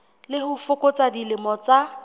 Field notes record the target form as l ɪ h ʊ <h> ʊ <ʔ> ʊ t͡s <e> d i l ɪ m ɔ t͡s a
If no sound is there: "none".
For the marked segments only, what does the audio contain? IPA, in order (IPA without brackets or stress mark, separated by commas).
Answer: f, k, a